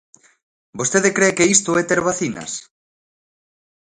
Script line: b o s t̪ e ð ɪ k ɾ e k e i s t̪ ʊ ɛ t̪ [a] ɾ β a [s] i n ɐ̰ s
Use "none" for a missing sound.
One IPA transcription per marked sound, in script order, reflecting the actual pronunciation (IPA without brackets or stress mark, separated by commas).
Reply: e, θ